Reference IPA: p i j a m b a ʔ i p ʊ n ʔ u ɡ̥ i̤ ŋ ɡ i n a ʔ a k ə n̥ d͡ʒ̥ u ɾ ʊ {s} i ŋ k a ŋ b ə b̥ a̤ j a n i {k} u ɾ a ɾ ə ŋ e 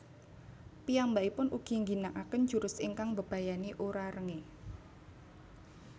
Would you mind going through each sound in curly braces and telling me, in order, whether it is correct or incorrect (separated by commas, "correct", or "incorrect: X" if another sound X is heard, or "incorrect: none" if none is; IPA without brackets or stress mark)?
correct, incorrect: ʔ